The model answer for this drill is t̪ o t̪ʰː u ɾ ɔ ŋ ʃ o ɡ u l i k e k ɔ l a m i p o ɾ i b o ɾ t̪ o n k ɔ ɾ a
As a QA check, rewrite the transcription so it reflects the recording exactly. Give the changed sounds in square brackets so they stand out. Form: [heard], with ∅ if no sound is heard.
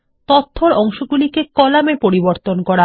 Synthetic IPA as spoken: t̪ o t̪ʰː [o] ɾ ɔ ŋ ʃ o ɡ u l i k e k ɔ l a m [e] p o ɾ i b o ɾ t̪ o n k ɔ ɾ a